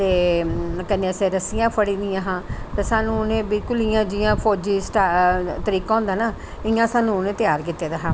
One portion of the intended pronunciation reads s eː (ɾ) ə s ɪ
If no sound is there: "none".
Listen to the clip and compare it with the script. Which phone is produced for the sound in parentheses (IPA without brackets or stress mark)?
ɾ